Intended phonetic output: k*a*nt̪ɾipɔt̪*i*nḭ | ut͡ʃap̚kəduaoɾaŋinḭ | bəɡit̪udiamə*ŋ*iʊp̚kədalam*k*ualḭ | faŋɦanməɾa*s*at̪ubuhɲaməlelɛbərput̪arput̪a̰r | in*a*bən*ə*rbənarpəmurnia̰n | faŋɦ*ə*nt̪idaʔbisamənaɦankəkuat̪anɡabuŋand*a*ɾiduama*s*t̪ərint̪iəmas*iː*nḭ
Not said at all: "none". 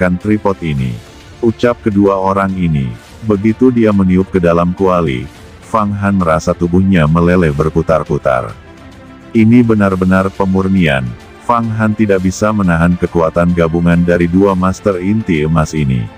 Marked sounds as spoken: a, i, n, k, s, i, a, a, a, s, i

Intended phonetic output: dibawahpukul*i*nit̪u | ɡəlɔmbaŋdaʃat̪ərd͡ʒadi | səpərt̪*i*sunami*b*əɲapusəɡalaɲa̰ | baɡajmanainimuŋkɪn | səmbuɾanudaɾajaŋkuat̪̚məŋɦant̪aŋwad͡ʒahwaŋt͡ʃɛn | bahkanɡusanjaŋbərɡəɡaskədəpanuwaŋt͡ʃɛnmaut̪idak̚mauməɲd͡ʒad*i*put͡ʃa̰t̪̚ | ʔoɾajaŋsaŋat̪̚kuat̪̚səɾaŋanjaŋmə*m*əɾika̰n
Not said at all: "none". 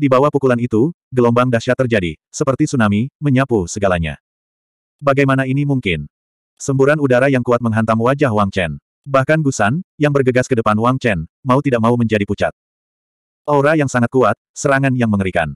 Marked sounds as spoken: a, i, m, i, ŋ

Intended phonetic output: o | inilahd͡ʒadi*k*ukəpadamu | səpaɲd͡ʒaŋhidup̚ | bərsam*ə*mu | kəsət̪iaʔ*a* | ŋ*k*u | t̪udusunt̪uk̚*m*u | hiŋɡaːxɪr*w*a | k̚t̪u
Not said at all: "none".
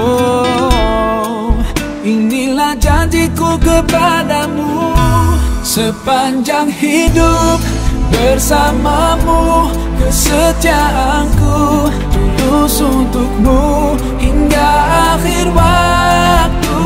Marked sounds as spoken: k, a, a, k, m, w

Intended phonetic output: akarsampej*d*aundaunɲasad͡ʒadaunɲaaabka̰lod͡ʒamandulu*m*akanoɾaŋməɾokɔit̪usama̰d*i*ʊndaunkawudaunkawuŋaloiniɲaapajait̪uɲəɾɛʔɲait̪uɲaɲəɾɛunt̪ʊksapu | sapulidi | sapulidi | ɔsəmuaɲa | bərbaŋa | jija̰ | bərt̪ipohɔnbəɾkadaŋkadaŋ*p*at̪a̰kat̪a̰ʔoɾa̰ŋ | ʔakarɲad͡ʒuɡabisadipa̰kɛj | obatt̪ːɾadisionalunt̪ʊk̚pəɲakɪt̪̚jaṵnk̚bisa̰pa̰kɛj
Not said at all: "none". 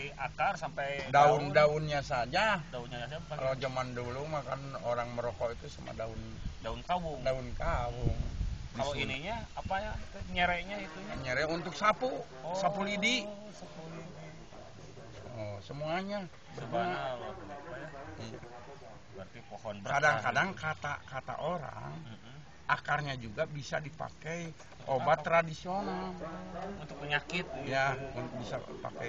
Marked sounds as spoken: d, m, a, k

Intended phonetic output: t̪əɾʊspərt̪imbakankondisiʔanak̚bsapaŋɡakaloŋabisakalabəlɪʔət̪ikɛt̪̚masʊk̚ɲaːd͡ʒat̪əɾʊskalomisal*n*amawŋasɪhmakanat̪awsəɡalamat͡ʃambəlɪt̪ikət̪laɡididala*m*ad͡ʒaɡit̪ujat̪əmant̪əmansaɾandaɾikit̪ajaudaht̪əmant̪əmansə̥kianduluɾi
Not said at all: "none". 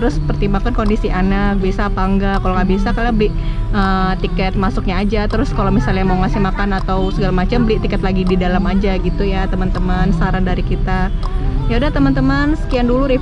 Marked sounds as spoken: ɲ, m

